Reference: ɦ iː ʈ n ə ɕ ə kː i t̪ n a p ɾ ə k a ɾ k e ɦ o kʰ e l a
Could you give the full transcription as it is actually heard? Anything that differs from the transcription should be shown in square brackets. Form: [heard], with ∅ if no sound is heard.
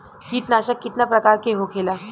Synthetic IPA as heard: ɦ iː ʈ n [a] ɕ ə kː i t̪ n a p ɾ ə k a ɾ k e ɦ o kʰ e l a